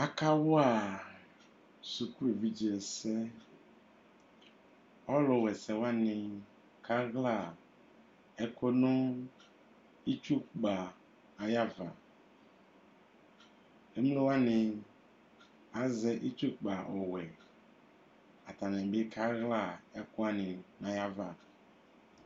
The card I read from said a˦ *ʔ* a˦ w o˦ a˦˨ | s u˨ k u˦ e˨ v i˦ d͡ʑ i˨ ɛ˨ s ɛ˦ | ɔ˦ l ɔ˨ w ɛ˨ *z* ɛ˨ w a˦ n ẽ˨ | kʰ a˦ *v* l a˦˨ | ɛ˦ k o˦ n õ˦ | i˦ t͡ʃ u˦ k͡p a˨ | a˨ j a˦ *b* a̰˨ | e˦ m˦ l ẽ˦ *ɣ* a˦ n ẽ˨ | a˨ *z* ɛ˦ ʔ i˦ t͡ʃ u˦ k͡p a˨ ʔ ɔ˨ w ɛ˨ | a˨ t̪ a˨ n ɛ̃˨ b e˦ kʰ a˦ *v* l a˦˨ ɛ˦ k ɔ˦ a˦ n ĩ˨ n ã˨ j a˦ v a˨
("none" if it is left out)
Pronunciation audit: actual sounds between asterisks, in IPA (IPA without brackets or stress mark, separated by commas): k, s, ɣ, v, w, z, ɣ